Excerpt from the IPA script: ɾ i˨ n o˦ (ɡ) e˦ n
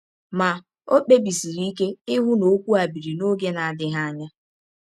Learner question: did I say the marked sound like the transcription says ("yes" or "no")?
yes